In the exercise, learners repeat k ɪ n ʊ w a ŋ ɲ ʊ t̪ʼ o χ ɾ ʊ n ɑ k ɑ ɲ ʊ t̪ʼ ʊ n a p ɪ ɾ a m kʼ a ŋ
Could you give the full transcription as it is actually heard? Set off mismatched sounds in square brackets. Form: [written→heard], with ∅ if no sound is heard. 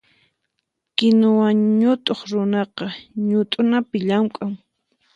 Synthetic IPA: k ɪ n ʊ w a ŋ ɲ ʊ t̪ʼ o χ ɾ ʊ n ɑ [k→q] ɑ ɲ ʊ t̪ʼ ʊ n a p ɪ [ɾ→ʎ] a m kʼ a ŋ